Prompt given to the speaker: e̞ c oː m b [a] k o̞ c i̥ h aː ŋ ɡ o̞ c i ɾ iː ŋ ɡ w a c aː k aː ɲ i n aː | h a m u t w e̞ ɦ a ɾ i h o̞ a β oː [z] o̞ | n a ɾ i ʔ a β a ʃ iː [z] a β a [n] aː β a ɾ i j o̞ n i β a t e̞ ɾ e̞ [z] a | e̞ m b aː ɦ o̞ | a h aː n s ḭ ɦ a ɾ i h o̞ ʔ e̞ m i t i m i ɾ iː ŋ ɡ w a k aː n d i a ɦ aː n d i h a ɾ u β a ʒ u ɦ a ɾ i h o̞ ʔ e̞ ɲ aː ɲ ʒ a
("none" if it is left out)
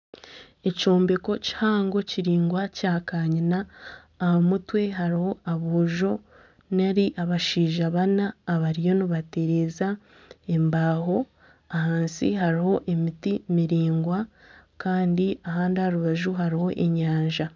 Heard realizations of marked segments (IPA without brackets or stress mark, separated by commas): e, ʒ, ʒ, n, z